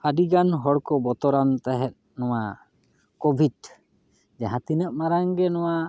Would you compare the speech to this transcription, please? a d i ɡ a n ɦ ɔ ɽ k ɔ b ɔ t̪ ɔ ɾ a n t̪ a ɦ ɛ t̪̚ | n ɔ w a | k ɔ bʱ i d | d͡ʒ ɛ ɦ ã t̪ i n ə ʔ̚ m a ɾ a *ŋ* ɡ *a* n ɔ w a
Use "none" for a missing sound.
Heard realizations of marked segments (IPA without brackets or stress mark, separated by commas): ŋ, ɛ